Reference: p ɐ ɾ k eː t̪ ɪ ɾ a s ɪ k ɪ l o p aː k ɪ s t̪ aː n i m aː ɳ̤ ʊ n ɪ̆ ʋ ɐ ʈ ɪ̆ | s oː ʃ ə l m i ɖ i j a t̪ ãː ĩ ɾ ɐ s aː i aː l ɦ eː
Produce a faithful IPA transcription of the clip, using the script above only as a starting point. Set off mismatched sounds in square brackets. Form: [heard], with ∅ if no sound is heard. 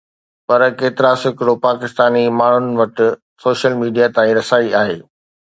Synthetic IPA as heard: p ɐ ɾ k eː t̪ ɪ ɾ a s ɪ k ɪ [ɽ] o p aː k ɪ s t̪ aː n i m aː ɳ̤ ʊ n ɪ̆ ʋ ɐ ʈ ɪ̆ | s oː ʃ ə l m [iː] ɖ i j a t̪ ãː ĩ ɾ ɐ s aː i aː [∅] ɦ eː

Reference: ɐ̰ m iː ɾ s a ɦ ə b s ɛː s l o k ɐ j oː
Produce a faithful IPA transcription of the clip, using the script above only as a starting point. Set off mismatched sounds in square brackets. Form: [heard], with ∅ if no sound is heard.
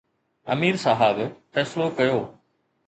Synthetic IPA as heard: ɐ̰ m iː ɾ s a ɦ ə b [f] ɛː s l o k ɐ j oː

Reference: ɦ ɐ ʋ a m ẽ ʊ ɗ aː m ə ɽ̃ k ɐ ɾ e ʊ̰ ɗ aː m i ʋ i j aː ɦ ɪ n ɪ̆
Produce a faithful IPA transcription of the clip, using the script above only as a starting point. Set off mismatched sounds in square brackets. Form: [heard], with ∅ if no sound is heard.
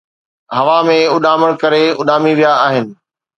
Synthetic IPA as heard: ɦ ɐ ʋ a m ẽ ʊ ɗ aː m ə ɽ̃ k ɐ ɾ e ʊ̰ ɗ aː m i ʋ i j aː ɦ ɪ n ɪ̆

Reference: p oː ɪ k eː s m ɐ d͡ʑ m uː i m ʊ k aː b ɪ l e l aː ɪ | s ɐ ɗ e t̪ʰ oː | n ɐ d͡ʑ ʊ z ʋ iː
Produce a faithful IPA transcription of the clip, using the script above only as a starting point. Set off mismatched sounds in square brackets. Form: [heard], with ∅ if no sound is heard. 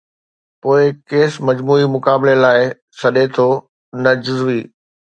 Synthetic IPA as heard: p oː ɪ k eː s m ɐ d͡ʑ m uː i m ʊ k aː b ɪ l e l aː ɪ | s ɐ ɗ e t̪ʰ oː | n ɐ d͡ʑ ʊ z ʋ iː

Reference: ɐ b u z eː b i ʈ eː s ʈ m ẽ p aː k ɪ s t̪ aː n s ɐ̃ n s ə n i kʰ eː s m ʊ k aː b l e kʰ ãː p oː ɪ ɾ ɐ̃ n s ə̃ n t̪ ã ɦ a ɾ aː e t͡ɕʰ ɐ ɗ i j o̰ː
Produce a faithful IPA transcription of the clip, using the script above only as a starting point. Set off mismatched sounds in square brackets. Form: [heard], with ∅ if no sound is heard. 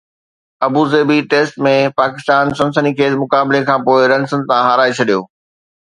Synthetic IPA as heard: ɐ b u z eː b i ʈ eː s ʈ m ẽ p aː k ɪ s t̪ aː n s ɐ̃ n s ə n i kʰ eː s m ʊ k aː b l e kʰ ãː p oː ɪ ɾ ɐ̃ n s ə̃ n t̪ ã ɦ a ɾ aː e t͡ɕʰ ɐ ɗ i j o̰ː

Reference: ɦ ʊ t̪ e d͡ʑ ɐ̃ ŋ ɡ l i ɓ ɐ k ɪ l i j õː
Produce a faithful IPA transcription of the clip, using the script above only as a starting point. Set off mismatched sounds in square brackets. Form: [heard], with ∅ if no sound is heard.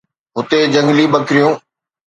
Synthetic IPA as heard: ɦ ʊ t̪ e d͡ʑ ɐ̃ ŋ ɡ l i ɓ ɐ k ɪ [ɾ] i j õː

